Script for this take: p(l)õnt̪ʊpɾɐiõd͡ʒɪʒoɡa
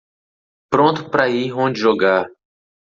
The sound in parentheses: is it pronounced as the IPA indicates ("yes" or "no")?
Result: no